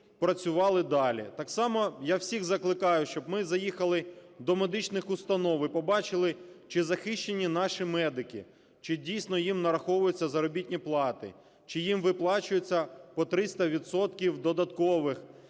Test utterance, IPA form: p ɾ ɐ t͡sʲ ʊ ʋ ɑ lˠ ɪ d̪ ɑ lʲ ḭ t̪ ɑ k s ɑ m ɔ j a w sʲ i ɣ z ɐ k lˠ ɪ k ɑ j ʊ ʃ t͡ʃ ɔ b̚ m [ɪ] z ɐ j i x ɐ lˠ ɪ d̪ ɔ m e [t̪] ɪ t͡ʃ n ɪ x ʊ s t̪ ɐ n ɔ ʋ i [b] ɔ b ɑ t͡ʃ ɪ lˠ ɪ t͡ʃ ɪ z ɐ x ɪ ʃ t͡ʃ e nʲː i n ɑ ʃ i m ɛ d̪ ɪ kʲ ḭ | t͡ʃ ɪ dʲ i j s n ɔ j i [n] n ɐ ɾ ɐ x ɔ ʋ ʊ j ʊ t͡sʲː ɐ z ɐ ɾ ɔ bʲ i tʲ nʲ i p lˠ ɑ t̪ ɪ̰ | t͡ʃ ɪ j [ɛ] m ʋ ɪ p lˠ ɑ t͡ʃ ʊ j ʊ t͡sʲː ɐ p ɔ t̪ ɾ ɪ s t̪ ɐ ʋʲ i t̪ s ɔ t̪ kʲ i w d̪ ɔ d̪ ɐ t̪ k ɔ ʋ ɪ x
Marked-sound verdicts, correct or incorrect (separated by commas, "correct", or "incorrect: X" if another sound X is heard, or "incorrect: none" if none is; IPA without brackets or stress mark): correct, incorrect: d̪, incorrect: p, incorrect: m, incorrect: i